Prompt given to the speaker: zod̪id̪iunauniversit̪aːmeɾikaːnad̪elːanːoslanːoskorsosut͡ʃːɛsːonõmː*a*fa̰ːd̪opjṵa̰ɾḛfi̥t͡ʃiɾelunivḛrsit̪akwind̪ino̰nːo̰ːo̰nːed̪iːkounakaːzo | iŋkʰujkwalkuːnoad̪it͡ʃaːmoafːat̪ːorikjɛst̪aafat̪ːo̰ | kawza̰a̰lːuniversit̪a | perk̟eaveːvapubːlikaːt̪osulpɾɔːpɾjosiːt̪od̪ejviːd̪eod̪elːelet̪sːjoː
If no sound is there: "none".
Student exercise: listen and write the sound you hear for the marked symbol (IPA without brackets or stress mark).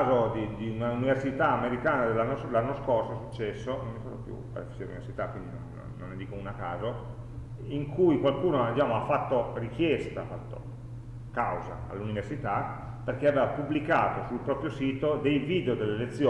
i